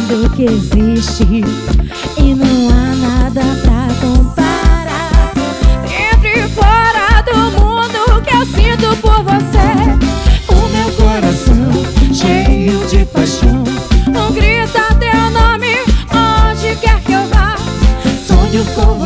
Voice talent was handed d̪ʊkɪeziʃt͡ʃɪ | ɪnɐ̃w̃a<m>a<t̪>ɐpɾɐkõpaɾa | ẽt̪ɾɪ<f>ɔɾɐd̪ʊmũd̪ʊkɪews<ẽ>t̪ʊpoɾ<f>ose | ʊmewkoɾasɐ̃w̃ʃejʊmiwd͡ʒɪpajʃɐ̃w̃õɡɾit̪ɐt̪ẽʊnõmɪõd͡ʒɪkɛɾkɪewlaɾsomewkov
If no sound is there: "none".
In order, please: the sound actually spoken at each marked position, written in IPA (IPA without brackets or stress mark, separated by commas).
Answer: n, d̪, f, ĩ, v